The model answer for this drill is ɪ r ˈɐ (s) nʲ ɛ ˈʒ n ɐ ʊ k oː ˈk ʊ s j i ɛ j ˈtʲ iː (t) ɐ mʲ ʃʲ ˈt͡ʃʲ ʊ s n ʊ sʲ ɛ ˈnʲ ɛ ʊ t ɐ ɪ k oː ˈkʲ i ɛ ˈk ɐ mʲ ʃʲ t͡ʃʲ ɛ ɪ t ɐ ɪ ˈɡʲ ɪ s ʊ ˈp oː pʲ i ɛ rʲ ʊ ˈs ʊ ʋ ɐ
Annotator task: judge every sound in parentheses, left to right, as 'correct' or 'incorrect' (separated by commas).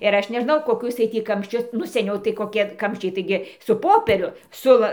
incorrect, incorrect